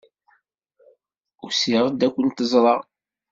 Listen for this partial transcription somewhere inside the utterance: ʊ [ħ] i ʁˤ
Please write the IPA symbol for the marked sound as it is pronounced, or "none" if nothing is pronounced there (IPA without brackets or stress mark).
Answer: s